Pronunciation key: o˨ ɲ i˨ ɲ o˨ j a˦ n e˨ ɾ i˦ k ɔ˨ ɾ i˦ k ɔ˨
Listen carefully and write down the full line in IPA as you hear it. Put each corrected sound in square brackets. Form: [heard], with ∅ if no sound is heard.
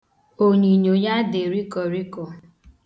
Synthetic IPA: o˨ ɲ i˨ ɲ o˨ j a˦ [d] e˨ ɾ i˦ k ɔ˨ ɾ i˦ k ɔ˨